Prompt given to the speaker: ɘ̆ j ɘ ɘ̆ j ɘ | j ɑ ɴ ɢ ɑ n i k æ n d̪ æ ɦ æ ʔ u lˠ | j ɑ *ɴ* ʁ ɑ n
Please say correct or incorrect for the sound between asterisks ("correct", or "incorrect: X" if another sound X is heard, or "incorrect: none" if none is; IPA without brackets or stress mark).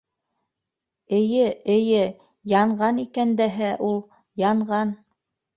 correct